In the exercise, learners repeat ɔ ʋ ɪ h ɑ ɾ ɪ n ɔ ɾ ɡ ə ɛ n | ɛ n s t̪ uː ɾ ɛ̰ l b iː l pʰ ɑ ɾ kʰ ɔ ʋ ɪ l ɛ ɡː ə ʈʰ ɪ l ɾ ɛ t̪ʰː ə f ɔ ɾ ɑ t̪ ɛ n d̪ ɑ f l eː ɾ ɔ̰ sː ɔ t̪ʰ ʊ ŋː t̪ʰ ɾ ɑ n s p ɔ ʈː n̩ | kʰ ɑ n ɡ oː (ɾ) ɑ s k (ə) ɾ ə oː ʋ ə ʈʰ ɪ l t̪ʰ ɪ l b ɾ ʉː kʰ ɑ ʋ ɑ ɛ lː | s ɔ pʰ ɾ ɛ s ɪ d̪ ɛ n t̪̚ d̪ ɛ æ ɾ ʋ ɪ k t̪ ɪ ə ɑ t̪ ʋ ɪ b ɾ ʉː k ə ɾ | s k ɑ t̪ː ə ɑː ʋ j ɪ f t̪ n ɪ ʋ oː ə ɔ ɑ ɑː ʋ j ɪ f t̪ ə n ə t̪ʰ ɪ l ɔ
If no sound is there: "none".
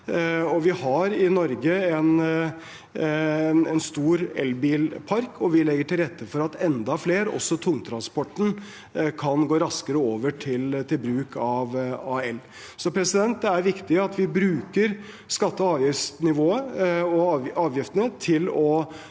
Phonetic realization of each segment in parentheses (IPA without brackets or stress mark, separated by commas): ɾ, ə